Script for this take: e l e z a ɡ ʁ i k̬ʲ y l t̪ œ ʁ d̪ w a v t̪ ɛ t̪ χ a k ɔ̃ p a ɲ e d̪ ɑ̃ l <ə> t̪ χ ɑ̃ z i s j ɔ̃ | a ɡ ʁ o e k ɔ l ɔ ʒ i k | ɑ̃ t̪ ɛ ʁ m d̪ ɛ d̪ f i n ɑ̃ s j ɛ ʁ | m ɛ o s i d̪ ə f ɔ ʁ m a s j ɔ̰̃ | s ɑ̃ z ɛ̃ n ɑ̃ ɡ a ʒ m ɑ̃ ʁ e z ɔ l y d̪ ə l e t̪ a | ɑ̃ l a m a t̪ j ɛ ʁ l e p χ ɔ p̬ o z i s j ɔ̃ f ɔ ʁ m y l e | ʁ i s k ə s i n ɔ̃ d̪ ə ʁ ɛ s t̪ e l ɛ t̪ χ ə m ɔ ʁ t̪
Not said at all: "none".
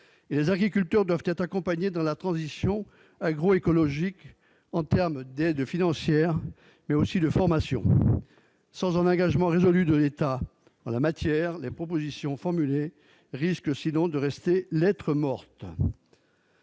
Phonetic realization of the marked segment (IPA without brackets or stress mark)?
a